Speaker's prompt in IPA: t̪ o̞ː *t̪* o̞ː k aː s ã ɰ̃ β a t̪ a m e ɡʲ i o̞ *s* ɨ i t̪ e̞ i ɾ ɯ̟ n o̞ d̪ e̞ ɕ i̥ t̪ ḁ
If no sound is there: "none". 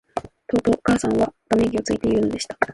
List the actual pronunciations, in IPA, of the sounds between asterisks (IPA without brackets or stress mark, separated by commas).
t̪, t͡s